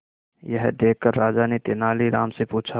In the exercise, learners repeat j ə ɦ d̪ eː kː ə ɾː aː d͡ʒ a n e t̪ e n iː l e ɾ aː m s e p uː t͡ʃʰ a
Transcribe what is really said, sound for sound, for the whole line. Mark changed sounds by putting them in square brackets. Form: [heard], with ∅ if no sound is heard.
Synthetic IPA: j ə ɦ d̪ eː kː ə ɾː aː d͡ʒ a n e t̪ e n [aː] l [i] ɾ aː m s e p uː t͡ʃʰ a